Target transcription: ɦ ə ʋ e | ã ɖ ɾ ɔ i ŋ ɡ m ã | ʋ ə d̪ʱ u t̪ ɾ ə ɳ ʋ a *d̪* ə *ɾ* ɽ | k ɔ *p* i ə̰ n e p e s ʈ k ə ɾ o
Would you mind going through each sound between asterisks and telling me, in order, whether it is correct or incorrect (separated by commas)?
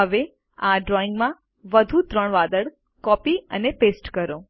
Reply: correct, incorrect, correct